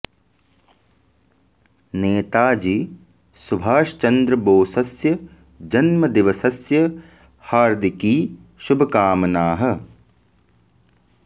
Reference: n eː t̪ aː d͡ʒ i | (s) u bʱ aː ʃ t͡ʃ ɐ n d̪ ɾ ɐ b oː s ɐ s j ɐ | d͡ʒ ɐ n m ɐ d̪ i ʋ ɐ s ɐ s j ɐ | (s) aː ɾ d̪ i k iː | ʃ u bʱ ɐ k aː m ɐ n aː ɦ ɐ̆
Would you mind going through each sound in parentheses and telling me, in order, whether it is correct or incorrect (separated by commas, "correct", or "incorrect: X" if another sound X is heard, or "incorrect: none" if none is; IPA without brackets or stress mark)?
correct, incorrect: h